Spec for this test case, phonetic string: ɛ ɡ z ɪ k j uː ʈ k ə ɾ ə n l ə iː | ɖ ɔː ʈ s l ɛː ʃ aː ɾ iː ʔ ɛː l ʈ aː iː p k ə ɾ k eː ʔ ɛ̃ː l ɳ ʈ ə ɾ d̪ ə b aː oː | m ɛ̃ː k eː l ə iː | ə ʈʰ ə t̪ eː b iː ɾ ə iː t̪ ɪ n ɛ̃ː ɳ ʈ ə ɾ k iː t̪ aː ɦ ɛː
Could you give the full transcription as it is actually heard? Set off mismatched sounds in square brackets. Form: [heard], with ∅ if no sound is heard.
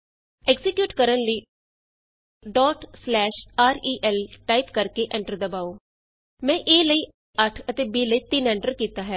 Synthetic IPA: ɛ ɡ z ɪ k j uː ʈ k ə ɾ ə n l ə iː | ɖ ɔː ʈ s l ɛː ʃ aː ɾ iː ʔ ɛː l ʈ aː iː p k ə ɾ k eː ʔ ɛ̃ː [∅] ɳ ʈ ə ɾ d̪ ə b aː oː | m ɛ̃ː [ʔ] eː l ə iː | ə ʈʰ ə t̪ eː b iː [l] ə iː t̪ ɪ n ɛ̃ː ɳ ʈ ə ɾ k iː t̪ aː ɦ ɛː

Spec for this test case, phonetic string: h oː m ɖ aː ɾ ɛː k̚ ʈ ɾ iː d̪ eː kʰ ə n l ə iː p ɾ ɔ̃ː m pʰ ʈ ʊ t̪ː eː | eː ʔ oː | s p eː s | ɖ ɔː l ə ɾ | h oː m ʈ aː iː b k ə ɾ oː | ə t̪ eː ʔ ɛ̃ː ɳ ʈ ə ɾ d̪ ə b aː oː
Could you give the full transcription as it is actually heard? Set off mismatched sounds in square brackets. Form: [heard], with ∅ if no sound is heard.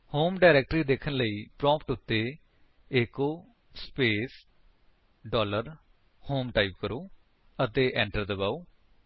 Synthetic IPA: h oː m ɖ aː ɾ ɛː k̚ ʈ ɾ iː d̪ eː kʰ ə n l ə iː p ɾ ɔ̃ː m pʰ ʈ ʊ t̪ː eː | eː [k] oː | s p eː s | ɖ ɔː l ə ɾ | h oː m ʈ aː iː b k ə ɾ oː | ə t̪ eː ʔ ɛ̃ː ɳ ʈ ə ɾ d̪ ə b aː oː

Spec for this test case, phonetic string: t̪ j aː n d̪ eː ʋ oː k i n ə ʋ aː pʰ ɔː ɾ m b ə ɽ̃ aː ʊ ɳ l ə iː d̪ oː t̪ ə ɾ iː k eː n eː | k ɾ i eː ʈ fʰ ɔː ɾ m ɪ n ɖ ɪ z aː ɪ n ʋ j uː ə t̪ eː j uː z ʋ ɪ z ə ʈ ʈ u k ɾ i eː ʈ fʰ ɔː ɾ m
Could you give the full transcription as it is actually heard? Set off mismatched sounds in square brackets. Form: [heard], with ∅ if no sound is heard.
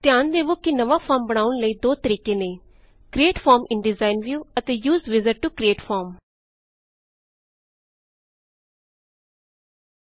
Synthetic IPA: t̪ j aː n d̪ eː ʋ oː k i n ə ʋ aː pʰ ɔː ɾ m b ə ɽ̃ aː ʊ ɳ l ə iː d̪ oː t̪ ə ɾ iː k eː n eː | k ɾ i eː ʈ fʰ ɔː ɾ m ɪ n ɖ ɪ z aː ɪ n ʋ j uː ə t̪ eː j uː z ʋ ɪ z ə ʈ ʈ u k ɾ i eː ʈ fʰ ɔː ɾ m

